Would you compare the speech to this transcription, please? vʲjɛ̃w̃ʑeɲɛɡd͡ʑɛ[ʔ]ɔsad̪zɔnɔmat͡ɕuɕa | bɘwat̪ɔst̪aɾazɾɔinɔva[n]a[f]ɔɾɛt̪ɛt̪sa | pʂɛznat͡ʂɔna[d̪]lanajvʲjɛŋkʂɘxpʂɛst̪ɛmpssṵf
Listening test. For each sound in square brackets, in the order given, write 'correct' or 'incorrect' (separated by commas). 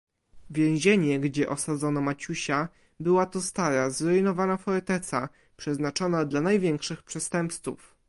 correct, correct, correct, correct